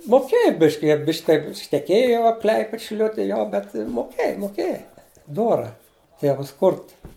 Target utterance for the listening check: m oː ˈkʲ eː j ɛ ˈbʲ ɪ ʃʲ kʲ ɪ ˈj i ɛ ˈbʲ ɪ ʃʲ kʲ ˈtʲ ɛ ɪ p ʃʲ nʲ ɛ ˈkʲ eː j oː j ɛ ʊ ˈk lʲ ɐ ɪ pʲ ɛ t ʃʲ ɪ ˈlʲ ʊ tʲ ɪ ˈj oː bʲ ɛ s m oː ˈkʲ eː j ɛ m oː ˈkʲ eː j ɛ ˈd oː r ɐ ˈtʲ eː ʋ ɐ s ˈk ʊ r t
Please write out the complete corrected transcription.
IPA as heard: m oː ˈkʲ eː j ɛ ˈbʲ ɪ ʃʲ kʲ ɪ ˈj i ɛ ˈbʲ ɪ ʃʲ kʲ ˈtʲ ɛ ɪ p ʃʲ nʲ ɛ ˈkʲ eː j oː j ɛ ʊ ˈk lʲ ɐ ɪ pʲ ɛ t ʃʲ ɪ ˈlʲ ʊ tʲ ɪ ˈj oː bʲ ɛ t m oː ˈkʲ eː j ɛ m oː ˈkʲ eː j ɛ ˈd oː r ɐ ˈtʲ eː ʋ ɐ s ˈk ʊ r t